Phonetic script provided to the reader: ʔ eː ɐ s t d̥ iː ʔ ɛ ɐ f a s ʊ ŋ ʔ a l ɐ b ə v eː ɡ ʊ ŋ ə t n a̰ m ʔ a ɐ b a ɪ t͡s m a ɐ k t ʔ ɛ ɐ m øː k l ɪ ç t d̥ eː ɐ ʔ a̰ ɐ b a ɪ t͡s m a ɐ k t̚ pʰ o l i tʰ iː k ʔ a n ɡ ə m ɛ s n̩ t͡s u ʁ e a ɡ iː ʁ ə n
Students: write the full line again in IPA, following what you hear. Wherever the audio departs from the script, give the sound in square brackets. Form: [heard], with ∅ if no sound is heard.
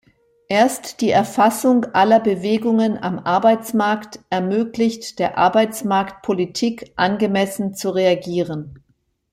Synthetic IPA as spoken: ʔ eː ɐ s t d̥ iː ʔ ɛ ɐ f a s ʊ ŋ ʔ a l ɐ b ə v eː ɡ ʊ ŋ ə [∅] n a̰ m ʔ a ɐ b a ɪ t͡s m a ɐ k t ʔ ɛ ɐ m øː k l ɪ ç t d̥ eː ɐ ʔ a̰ ɐ b a ɪ t͡s m a ɐ k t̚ pʰ o l i tʰ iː k ʔ a n ɡ ə m ɛ s n̩ t͡s u ʁ e a ɡ iː ʁ ə n